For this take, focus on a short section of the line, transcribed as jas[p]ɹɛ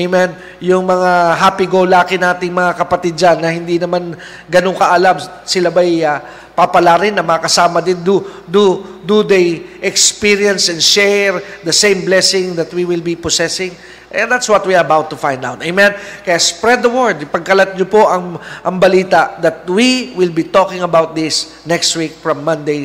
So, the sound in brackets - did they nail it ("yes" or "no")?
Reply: yes